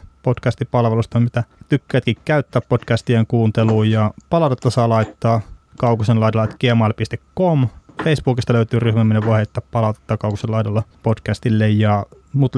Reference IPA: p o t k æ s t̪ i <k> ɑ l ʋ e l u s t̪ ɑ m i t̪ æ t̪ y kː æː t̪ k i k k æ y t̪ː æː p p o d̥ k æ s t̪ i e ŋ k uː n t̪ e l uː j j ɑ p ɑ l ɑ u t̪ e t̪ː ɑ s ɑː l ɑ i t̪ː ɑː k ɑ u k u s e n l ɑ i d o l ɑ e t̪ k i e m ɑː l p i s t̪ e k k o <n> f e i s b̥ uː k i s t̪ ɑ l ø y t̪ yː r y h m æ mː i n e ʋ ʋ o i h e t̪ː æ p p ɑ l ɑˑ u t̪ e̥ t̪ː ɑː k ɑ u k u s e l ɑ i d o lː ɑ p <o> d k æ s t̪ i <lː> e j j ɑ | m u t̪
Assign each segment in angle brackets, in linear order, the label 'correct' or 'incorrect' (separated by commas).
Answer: incorrect, incorrect, correct, correct